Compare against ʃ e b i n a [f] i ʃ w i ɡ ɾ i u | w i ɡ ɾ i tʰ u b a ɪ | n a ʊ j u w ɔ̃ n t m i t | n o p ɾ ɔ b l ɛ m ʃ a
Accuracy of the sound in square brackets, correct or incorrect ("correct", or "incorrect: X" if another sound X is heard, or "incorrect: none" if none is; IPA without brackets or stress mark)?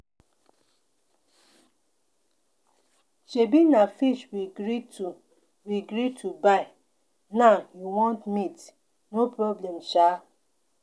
correct